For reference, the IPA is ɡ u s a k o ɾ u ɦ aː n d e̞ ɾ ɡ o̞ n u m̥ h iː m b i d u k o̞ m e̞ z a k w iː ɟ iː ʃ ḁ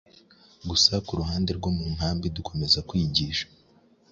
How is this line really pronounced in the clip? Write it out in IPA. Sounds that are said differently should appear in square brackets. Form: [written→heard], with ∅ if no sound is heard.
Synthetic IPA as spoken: ɡ u s a k [o→u] ɾ u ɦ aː n d e̞ ɾ ɡ o̞ [n→m] u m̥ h [iː→aː] m b i d u k o̞ m e̞ z a k w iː ɟ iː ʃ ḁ